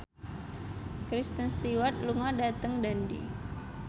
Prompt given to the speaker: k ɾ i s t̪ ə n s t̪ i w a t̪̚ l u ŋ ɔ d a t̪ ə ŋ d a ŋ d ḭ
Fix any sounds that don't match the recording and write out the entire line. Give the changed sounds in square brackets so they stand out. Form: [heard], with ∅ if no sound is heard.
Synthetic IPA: k ɾ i s t̪ ə n s t̪ i w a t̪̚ l u ŋ ɔ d a t̪ ə ŋ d a [n] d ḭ